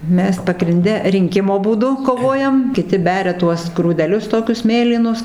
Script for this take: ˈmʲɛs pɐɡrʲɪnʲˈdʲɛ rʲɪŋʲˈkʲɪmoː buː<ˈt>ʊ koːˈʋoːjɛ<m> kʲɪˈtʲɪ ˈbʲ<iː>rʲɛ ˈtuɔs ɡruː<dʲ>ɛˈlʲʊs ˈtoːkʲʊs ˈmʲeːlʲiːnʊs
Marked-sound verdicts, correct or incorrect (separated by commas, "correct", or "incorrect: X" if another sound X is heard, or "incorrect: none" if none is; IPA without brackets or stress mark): incorrect: d, correct, incorrect: æː, correct